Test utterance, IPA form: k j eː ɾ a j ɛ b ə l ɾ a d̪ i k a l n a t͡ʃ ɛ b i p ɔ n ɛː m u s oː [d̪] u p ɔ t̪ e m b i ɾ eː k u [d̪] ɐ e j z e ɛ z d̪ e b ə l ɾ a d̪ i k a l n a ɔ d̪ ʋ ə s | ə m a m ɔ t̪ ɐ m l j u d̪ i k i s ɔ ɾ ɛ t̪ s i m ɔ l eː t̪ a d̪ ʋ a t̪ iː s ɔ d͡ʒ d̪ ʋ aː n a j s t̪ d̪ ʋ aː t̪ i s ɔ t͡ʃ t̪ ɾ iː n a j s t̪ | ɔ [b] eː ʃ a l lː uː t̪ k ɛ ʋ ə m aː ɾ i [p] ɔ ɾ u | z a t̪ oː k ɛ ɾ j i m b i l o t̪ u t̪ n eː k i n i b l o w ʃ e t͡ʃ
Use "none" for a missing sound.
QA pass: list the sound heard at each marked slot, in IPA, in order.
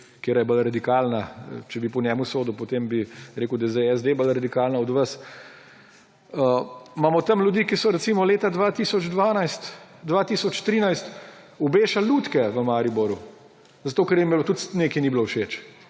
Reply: d̪, d̪, b, b

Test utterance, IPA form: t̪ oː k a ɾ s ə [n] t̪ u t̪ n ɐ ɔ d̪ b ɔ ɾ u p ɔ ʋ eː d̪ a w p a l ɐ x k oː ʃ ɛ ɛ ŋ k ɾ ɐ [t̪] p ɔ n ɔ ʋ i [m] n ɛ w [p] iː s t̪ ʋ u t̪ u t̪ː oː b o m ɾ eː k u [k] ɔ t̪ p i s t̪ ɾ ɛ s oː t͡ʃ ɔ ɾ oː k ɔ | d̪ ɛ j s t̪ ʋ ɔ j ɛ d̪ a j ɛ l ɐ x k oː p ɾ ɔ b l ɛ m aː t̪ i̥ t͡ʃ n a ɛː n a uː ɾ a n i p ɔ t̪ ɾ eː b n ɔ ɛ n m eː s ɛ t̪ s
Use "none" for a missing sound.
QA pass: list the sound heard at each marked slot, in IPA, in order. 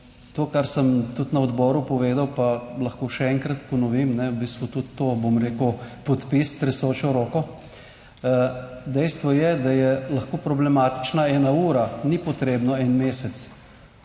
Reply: m, t̪, m, b, p

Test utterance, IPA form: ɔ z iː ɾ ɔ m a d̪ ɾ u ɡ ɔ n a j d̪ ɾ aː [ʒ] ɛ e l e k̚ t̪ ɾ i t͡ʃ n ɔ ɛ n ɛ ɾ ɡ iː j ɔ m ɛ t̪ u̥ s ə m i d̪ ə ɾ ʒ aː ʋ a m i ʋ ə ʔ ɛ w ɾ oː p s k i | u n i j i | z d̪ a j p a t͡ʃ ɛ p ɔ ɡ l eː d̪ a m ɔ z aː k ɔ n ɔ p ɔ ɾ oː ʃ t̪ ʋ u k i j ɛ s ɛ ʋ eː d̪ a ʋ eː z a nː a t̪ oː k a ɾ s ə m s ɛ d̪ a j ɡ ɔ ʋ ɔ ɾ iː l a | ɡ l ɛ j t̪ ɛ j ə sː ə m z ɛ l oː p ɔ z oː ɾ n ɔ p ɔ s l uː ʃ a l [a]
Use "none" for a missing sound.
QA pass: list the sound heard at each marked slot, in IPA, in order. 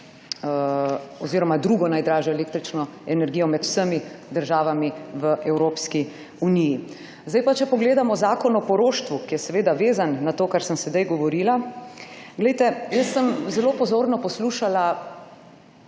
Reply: ʒ, a

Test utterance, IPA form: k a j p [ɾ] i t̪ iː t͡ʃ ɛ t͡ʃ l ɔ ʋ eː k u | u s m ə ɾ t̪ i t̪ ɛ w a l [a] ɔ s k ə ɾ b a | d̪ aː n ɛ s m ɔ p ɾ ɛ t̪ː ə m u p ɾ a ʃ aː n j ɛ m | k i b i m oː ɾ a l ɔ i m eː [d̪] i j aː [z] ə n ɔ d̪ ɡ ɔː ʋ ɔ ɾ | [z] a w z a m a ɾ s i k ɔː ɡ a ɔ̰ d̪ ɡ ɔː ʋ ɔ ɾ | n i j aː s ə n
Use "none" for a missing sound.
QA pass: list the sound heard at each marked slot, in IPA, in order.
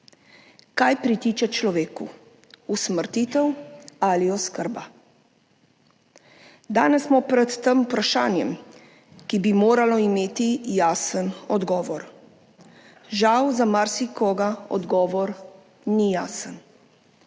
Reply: ɾ, i, t̪, s, ʒ

